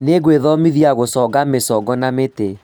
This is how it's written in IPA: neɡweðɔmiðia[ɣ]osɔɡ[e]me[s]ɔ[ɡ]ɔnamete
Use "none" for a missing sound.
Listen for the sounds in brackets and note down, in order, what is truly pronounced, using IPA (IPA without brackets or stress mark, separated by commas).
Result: ɣ, a, s, ɡ